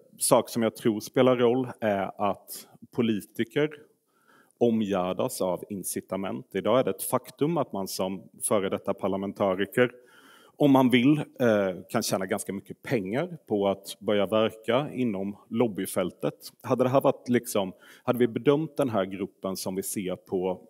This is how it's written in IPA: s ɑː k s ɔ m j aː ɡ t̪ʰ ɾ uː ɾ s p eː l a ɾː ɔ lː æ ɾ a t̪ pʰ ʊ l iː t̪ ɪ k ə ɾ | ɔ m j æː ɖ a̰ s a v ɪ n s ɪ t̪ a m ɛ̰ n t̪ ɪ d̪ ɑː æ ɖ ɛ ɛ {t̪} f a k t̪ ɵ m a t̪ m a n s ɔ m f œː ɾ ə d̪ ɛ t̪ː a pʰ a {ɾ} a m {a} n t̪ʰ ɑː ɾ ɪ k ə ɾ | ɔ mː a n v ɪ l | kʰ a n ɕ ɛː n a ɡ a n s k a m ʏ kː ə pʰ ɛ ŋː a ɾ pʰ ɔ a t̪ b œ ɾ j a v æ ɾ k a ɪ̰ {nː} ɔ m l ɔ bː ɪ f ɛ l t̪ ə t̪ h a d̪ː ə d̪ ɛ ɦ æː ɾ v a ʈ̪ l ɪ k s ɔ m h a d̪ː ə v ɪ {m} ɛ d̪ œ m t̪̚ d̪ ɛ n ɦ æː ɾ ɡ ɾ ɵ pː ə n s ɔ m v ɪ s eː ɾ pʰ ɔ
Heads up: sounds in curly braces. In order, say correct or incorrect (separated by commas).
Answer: correct, incorrect, incorrect, correct, incorrect